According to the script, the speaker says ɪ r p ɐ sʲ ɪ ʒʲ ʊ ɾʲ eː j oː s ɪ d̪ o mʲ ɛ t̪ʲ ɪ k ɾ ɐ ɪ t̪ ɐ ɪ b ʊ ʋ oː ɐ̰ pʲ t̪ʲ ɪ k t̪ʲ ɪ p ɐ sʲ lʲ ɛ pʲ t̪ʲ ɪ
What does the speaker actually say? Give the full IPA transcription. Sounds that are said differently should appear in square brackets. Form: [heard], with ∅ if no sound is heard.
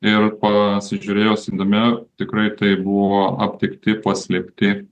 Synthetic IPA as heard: ɪ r p ɐ sʲ ɪ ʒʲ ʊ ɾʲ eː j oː s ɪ d̪ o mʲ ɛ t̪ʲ ɪ k ɾ ɐ ɪ t̪ ɐ ɪ b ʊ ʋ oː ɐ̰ pʲ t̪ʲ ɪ k t̪ʲ ɪ p ɐ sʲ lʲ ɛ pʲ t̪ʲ ɪ